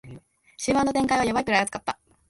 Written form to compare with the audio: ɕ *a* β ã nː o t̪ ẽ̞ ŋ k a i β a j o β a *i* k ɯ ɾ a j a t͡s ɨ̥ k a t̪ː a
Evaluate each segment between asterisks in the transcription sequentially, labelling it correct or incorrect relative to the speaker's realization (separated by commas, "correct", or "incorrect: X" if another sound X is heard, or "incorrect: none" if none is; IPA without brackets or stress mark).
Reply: incorrect: i, correct